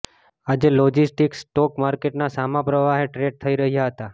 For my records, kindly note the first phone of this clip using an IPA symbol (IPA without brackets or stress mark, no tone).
a